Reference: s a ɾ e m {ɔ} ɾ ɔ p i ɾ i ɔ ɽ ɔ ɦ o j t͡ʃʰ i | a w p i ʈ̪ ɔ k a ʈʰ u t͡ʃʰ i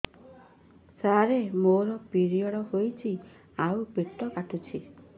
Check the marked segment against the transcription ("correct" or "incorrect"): incorrect